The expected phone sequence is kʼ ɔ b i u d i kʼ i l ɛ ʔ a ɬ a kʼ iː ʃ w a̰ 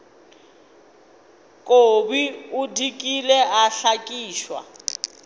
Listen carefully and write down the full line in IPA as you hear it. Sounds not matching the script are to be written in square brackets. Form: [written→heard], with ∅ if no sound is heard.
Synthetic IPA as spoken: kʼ [ɔ→o] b i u d i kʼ i l ɛ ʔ a ɬ a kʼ iː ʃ w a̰